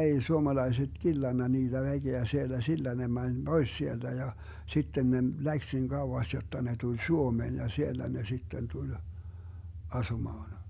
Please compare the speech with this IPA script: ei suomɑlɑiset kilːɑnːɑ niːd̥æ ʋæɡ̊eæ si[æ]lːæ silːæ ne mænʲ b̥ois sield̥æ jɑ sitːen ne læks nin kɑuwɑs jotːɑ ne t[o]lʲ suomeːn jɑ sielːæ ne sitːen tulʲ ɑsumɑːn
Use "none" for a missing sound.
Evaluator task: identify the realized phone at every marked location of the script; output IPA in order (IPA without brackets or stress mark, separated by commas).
e, u